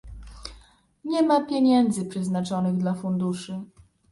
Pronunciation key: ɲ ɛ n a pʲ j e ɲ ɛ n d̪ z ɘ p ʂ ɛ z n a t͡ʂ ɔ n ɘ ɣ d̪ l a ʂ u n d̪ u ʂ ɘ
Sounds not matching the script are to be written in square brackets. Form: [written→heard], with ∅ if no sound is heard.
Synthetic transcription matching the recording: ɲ ɛ [n→m] a pʲ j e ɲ ɛ n d̪ z ɘ p ʂ ɛ z n a t͡ʂ ɔ n ɘ ɣ d̪ l a [ʂ→f] u n d̪ u ʂ ɘ